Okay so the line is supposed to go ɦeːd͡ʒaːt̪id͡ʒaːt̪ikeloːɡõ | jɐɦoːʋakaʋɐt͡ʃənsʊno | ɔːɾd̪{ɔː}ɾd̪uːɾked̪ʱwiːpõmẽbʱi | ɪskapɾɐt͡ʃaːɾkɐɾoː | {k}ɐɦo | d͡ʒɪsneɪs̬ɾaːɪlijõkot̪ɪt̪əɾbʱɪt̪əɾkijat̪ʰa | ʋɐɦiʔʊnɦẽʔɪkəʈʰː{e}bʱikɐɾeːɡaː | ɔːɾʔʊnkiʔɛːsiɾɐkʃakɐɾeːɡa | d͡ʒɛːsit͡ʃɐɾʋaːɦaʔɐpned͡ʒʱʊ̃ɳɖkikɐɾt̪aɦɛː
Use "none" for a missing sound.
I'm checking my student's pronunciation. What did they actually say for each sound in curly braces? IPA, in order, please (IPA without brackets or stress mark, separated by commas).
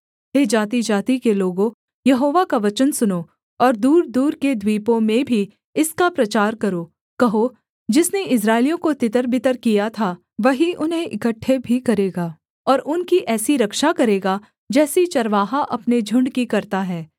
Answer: uː, k, e